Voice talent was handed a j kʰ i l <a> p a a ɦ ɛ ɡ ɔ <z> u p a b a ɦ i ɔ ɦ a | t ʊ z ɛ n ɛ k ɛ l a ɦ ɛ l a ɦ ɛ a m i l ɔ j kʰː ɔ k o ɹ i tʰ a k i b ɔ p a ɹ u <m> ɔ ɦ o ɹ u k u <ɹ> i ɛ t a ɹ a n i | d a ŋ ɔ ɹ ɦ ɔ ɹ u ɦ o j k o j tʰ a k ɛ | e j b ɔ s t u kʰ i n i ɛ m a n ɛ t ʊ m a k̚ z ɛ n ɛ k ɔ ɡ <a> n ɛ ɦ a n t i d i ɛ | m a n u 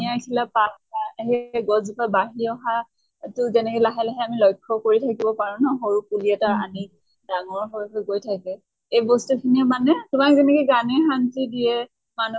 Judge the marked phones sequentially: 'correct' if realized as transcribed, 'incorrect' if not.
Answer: correct, correct, incorrect: n, incorrect: l, correct

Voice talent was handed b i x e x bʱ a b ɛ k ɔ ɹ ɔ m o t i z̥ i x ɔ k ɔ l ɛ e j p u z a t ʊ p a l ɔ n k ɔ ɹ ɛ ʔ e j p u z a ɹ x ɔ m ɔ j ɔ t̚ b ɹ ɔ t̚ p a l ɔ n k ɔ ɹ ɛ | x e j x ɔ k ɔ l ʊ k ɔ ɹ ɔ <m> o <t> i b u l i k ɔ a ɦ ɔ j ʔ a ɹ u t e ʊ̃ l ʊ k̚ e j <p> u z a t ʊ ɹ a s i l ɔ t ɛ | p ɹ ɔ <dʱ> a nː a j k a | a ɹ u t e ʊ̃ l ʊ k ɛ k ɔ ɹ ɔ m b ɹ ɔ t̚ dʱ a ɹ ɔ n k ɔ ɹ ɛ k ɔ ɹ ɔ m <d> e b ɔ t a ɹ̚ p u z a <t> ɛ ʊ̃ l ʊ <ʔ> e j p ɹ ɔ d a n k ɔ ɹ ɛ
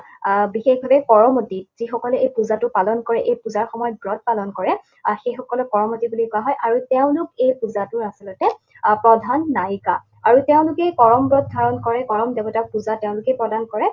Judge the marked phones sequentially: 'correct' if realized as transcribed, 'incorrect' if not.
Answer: correct, correct, correct, correct, correct, correct, incorrect: k

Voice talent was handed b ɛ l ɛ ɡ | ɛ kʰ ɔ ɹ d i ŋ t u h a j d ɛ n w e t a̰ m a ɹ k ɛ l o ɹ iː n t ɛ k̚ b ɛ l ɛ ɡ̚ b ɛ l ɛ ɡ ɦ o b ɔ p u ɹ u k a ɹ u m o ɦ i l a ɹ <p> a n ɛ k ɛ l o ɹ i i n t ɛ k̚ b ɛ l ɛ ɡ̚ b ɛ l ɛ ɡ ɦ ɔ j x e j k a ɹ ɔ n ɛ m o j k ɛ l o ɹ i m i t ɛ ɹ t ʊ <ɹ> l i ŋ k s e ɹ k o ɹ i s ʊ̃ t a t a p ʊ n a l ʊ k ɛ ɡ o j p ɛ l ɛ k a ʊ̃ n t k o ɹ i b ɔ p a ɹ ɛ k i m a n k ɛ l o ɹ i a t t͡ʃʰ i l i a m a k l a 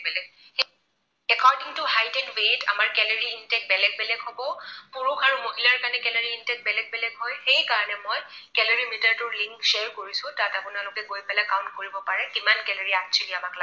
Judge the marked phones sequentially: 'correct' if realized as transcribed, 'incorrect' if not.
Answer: incorrect: k, correct

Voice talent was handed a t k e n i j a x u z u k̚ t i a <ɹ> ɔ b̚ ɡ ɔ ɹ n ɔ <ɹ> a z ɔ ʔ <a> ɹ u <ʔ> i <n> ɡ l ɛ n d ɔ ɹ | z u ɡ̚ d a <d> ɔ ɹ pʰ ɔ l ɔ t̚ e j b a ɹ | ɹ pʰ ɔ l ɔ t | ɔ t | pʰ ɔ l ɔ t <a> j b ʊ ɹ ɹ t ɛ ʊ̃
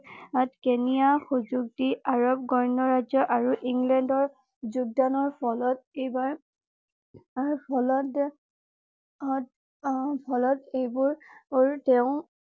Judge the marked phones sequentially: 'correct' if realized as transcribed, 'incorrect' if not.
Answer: correct, correct, correct, correct, incorrect: ŋ, incorrect: n, incorrect: e

